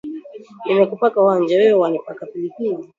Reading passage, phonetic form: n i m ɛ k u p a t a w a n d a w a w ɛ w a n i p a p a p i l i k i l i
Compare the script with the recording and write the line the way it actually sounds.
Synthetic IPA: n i m ɛ k u p a k a w a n d͡ʒ a w ɛ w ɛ w a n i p a k a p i l i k i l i